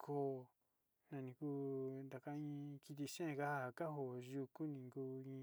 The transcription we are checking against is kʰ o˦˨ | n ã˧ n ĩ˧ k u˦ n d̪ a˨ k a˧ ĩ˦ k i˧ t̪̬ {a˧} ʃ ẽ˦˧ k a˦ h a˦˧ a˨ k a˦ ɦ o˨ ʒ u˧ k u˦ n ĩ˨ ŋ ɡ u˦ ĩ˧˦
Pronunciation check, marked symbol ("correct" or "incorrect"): incorrect